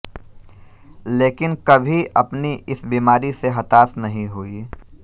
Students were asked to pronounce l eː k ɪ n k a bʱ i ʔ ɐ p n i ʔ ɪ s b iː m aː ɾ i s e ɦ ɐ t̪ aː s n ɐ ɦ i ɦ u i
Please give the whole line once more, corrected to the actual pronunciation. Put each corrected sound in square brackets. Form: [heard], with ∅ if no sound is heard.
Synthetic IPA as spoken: l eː k ɪ n k [ɐ] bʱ i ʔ ɐ p n i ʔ ɪ s b iː m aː ɾ i s e ɦ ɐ t̪ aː s n ɐ ɦ [ĩ] ɦ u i